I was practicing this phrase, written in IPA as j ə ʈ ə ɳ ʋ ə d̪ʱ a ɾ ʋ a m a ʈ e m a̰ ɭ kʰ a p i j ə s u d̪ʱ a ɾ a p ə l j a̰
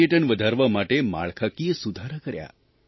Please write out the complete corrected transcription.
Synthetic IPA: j ə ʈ ə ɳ ʋ ə d̪ʱ a ɾ ʋ a m a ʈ e m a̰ ɭ kʰ a k i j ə s u d̪ʱ a ɾ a k ə ɾ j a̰

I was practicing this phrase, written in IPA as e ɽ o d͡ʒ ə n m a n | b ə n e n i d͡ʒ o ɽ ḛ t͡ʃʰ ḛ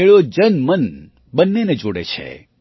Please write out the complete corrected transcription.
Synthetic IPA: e ɭ o d͡ʒ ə n m ə n | b ə nː e n e d͡ʒ o ɽ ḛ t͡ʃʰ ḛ

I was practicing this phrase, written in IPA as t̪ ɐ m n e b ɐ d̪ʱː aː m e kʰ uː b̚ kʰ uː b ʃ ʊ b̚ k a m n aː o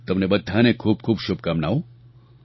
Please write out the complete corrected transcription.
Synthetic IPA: t̪ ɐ m n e b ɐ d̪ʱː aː n e kʰ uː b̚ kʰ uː b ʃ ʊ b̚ k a m n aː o

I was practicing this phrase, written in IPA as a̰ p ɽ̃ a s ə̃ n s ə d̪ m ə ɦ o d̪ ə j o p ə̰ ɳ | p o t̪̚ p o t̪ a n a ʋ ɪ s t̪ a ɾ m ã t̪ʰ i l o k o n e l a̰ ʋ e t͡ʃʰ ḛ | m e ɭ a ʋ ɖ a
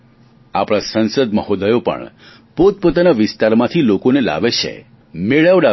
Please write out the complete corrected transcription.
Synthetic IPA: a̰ p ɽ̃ a s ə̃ n s ə d̪ m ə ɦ o d̪ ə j o p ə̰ ɳ | p o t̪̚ p o t̪ a n a ʋ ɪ s t̪ a ɾ m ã t̪ʰ i l o k o n e l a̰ ʋ e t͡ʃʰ ḛ | m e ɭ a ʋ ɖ a

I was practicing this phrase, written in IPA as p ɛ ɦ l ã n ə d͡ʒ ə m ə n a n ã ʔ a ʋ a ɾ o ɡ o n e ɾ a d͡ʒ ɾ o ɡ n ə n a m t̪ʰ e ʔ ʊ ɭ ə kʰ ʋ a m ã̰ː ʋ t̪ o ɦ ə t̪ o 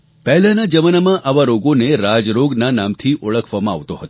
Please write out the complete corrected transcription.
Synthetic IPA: p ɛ ɦ l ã n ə d͡ʒ ə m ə n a m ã ʔ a ʋ a ɾ o ɡ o n e ɾ a d͡ʒ ɾ o ɡ n a n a m t̪ʰ i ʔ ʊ ɭ ə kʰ ʋ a m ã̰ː ʋ t̪ o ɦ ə t̪ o

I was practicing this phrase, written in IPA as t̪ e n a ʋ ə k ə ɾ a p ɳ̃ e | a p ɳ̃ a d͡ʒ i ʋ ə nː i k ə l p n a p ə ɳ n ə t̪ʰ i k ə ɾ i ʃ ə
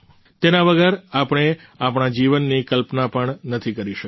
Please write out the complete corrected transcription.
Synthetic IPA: t̪ e n a ʋ ə ɡ ə ɾ a p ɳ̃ e | a p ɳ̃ a d͡ʒ i ʋ ə nː i k ə l p n a p ə ɳ n ə t̪ʰ i k ə ɾ i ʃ ə

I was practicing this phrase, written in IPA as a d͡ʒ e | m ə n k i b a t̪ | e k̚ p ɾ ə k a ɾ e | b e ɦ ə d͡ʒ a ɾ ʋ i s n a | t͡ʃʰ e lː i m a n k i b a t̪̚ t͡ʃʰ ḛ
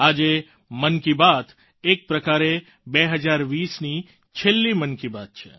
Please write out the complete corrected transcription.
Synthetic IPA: a d͡ʒ e | m ə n k i b a t̪ | e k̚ p ɾ ə k a ɾ e | b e ɦ ə d͡ʒ a ɾ ʋ i s n i | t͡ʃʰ e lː i m ə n k i b a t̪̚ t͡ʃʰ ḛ

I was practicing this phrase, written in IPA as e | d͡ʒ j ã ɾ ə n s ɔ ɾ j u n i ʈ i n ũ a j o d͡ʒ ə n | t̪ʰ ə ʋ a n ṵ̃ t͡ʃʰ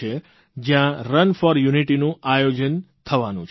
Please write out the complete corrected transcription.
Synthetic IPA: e | d͡ʒ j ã ɾ ə n f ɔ ɾ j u n i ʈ i n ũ a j o d͡ʒ ə n | t̪ʰ ə ʋ a n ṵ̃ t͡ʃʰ

